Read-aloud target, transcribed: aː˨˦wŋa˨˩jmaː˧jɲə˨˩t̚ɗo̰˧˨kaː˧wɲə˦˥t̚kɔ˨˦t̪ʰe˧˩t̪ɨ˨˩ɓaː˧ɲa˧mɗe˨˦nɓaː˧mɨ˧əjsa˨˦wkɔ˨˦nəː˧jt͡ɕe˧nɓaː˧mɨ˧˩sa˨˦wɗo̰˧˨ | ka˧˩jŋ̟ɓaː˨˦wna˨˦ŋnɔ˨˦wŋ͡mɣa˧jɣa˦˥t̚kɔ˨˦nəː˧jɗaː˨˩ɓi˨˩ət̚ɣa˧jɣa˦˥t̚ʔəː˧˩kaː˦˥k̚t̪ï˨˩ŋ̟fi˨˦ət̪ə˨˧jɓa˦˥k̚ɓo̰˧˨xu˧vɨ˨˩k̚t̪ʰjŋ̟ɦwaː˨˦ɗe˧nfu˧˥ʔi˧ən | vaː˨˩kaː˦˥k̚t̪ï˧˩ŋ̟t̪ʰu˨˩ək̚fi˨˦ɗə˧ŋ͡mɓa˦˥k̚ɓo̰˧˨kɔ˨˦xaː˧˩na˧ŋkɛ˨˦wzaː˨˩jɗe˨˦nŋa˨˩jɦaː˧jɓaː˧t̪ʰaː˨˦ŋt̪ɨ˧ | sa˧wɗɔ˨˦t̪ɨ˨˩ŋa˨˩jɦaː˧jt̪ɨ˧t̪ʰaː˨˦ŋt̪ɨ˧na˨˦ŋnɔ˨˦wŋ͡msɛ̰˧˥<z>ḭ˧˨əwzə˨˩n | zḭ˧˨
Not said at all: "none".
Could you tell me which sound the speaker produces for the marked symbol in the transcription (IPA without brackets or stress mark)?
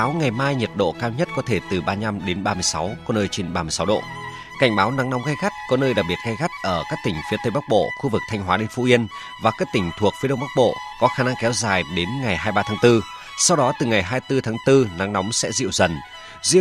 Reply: z